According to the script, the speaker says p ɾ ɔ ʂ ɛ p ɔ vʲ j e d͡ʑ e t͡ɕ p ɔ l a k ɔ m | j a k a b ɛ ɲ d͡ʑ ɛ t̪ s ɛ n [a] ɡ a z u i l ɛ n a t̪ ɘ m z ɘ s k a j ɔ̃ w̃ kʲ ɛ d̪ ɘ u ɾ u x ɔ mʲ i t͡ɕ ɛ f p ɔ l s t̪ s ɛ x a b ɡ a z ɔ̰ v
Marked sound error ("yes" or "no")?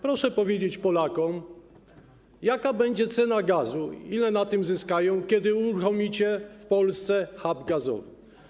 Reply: no